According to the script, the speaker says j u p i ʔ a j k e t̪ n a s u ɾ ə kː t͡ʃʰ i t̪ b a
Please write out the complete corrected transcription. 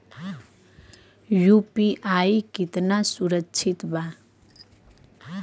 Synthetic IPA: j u p i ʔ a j k i t̪ n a s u ɾ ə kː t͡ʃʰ i t̪ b a